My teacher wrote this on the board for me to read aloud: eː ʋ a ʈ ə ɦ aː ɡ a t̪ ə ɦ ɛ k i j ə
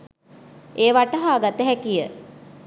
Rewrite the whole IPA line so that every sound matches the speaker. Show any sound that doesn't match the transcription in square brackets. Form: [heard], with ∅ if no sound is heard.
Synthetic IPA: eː ʋ a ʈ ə ɦ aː ɡ a t̪ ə ɦ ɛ k i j ə